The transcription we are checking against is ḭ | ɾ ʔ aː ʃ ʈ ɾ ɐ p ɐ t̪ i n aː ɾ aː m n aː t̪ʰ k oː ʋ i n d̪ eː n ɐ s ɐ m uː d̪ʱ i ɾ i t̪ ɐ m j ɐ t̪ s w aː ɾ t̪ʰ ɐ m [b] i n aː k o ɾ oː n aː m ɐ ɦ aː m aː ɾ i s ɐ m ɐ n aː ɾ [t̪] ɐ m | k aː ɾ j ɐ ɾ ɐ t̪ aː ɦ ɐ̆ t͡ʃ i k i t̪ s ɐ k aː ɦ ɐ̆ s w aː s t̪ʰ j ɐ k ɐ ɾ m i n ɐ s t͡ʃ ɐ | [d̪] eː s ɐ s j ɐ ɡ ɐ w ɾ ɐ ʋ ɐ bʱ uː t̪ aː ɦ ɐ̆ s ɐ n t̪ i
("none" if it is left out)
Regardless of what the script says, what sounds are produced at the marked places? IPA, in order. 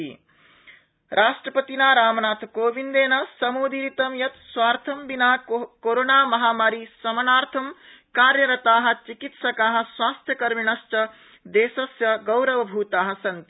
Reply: b, t̪ʰ, d̪

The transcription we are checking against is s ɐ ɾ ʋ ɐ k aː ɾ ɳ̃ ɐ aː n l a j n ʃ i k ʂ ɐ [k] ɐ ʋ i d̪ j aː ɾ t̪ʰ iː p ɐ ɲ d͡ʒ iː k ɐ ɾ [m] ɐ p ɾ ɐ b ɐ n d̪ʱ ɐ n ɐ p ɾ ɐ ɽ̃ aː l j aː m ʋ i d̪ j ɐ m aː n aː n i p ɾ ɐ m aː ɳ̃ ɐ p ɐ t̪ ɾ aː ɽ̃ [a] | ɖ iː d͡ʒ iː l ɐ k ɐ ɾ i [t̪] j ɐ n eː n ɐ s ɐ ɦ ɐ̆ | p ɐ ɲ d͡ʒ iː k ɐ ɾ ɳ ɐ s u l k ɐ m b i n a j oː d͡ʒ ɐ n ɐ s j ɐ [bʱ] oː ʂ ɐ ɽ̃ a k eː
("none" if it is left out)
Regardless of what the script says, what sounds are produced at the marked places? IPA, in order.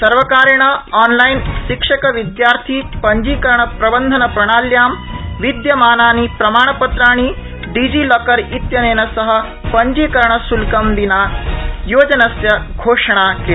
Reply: k, ɳ, i, t̪, ɡʱ

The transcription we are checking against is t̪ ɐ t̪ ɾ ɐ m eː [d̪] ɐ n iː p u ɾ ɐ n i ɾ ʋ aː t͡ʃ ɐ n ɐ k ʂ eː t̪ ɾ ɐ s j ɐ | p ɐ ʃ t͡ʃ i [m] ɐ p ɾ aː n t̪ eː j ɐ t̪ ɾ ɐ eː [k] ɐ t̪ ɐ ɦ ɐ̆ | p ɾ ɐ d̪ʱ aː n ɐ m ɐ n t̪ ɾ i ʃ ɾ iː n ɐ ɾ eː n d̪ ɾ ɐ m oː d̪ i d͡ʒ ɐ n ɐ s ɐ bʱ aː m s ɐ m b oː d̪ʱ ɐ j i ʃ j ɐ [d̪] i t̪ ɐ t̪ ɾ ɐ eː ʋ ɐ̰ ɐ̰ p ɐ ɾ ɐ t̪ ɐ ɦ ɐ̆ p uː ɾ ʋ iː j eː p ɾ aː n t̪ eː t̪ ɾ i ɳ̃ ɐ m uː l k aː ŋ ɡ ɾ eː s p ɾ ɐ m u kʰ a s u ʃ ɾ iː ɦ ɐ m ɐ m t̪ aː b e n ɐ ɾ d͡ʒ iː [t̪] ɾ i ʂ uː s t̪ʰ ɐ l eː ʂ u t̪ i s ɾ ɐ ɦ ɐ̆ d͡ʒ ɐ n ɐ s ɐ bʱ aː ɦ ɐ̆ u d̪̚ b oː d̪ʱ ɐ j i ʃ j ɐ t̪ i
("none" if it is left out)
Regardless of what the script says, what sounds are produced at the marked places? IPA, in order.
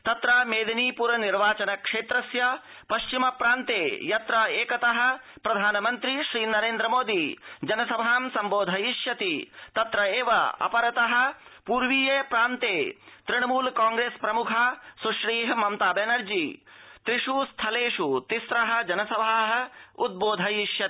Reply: d̪, m, k, t̪, t̪

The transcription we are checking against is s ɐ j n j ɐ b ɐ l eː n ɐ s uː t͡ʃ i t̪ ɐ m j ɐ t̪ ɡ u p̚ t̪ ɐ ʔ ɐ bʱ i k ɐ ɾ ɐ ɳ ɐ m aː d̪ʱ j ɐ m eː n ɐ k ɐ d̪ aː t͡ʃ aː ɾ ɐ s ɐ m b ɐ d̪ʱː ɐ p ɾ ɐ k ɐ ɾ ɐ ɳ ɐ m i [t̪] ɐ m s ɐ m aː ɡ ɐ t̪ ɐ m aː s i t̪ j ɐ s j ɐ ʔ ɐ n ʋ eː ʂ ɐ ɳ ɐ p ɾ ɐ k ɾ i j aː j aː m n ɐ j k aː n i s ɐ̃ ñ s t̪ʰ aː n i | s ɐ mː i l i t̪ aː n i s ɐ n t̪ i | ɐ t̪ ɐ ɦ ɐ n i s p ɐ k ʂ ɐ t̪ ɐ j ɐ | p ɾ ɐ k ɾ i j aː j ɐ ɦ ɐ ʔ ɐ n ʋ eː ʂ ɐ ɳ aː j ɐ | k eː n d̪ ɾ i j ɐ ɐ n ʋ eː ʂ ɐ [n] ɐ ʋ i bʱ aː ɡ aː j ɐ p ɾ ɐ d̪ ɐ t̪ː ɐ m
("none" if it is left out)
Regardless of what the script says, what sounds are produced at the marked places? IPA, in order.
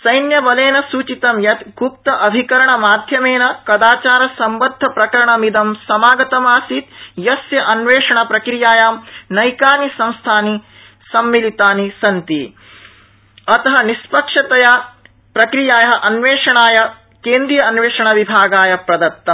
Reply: d̪, ɳ

